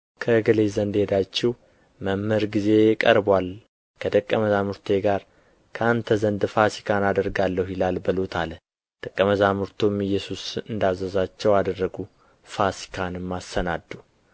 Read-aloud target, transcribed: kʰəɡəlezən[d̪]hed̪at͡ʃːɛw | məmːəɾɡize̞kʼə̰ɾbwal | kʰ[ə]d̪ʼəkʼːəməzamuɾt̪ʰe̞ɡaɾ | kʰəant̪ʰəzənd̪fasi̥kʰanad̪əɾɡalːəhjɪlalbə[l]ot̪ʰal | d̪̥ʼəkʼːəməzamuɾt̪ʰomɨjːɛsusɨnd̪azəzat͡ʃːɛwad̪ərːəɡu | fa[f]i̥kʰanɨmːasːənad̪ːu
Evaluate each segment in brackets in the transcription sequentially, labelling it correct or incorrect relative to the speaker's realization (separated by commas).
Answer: correct, correct, correct, incorrect